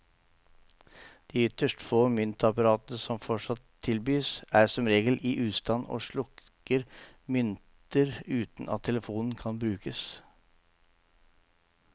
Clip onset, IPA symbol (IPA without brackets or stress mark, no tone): d̪̥